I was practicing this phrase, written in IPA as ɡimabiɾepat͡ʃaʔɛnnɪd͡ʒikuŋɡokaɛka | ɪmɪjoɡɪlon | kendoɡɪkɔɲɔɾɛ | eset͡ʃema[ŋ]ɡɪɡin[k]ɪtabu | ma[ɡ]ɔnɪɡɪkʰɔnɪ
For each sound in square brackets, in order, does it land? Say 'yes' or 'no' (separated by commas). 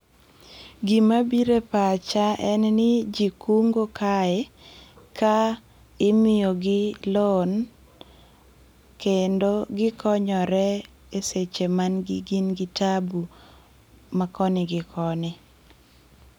no, no, no